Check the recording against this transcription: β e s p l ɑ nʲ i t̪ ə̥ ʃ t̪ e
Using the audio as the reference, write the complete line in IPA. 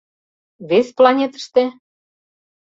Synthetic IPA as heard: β e s p l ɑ nʲ e t̪ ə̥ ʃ t̪ e